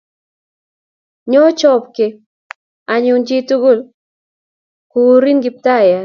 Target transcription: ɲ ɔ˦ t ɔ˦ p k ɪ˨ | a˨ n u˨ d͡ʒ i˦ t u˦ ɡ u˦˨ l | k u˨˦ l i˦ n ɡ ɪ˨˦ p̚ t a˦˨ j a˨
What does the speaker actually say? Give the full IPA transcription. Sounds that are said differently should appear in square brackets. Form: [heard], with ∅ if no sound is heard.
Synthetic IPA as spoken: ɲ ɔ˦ [t͡ʃ] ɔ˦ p k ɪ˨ | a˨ [ɲ] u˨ d͡ʒ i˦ t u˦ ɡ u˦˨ l | k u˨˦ [ɾ] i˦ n ɡ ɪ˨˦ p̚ t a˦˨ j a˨